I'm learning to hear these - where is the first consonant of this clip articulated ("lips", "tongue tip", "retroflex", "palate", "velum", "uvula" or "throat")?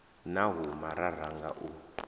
tongue tip